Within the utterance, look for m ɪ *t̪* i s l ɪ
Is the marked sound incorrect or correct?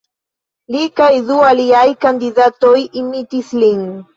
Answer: correct